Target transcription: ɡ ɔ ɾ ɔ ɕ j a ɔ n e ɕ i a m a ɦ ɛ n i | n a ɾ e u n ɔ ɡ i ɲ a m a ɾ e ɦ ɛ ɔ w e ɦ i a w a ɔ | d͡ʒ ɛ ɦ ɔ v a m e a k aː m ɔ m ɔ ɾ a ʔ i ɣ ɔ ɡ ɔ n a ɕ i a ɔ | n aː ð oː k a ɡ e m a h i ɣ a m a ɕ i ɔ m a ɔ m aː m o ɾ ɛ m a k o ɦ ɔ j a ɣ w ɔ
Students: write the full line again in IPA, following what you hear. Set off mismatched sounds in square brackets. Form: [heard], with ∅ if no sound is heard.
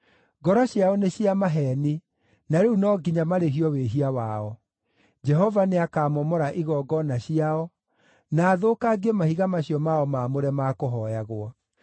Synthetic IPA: ɡ ɔ ɾ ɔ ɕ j a ɔ n e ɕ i a m a ɦ ɛ n i | n a ɾ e u n ɔ ɡ i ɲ a m a ɾ e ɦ [i] ɔ w e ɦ i a w a ɔ | d͡ʒ ɛ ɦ ɔ v a [n] e a k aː m ɔ m ɔ ɾ a ʔ i ɣ ɔ ɡ ɔ n a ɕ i a ɔ | n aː ð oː k a ɡ e m a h i ɣ a m a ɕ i ɔ m a ɔ m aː m o ɾ ɛ m a k o ɦ ɔ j a ɣ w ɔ